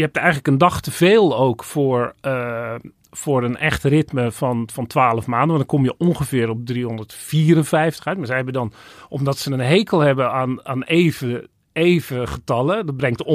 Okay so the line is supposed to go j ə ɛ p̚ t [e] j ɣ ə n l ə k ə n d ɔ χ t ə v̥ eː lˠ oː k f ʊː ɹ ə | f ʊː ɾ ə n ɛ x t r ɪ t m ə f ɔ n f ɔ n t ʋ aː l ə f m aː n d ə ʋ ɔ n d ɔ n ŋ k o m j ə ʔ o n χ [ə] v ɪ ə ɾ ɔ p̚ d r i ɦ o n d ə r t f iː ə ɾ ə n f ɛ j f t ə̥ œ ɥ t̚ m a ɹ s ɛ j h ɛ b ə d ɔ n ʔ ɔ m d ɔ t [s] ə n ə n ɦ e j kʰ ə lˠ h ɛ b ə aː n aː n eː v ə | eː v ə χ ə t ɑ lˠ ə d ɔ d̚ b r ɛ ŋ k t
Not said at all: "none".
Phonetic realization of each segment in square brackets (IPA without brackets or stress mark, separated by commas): ɛ, ə, s